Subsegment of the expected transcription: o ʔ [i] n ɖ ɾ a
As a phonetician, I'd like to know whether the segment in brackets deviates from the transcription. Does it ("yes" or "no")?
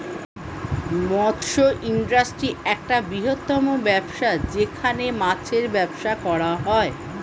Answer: no